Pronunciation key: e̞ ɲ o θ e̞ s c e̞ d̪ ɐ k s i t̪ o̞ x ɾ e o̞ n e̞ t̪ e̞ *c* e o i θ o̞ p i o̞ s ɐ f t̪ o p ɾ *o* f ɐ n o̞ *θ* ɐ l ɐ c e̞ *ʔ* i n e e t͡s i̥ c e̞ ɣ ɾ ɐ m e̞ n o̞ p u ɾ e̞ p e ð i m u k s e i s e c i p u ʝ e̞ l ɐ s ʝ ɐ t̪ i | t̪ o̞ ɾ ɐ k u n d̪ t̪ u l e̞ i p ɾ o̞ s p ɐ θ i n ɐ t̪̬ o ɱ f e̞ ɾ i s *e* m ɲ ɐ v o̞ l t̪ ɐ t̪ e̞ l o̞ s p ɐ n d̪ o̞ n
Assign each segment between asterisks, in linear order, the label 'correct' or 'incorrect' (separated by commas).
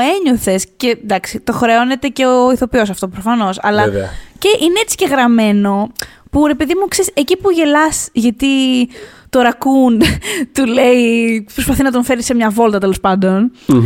correct, correct, incorrect, correct, correct